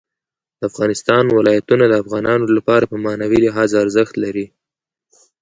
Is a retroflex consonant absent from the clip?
yes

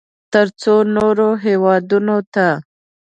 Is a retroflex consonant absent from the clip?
yes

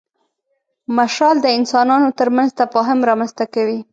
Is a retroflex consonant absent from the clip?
yes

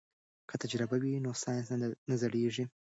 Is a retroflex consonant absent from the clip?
no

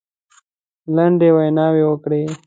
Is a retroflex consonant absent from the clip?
no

